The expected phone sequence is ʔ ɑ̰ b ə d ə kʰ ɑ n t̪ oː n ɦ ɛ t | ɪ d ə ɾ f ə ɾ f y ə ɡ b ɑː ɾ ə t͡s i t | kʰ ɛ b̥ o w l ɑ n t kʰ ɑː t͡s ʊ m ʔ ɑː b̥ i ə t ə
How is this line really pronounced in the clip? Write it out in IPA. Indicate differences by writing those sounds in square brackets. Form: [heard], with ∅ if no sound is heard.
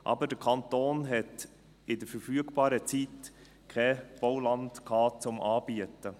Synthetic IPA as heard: ʔ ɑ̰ b ə d ə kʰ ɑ n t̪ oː n ɦ ɛ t | ɪ d ə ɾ f ə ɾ f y ə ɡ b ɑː ɾ ə t͡s i t | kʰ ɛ b̥ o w l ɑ n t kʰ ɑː t͡s ʊ m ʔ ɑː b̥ i ə t ə